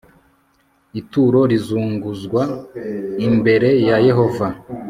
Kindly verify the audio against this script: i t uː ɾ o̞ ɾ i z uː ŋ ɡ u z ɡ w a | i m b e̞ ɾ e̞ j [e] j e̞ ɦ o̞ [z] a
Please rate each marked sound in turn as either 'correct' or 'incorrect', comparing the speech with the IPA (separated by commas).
incorrect, incorrect